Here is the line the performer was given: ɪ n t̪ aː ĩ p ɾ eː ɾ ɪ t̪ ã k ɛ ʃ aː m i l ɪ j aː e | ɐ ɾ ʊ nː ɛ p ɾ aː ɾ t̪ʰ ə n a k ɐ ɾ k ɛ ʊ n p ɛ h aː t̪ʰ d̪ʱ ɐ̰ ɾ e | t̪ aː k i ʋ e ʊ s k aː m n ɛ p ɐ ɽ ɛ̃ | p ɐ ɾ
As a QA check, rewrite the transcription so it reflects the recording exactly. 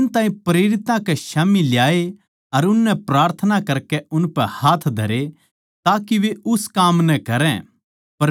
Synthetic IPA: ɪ n t̪ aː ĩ p ɾ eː ɾ ɪ t̪ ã k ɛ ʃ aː m i l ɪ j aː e | ɐ ɾ ʊ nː ɛ p ɾ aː ɾ t̪ʰ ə n a k ɐ ɾ k ɛ ʊ n p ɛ h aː t̪ʰ d̪ʱ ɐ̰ ɾ e | t̪ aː k i ʋ e ʊ s k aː m n ɛ k ɐ ɾ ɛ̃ | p ɐ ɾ